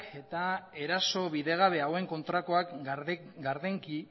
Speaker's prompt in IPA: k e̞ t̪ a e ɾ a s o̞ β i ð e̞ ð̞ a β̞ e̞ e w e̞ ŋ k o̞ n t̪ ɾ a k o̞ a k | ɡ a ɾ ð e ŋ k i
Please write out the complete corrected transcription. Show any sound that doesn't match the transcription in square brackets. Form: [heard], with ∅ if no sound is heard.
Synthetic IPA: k e̞ t̪ a e ɾ a s o̞ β i ð e̞ [ɣ̞] a β̞ e̞ [a] w e̞ ŋ k o̞ n t̪ ɾ a k o̞ a k | ɡ a ɾ ð e ŋ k i